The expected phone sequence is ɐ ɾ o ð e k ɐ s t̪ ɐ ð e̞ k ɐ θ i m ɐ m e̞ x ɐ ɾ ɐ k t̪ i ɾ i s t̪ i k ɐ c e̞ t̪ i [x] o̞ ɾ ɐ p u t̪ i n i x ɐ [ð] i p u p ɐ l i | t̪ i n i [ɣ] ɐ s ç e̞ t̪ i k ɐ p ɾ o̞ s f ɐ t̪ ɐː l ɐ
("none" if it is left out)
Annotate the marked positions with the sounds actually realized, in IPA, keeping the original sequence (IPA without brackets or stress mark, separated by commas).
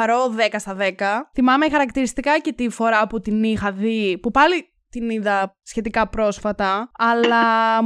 f, ð, ð